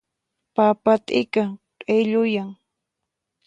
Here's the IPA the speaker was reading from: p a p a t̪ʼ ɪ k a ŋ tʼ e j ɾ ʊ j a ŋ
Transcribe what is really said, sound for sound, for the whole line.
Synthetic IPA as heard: p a p a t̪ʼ ɪ k a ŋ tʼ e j ʎ ʊ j a ŋ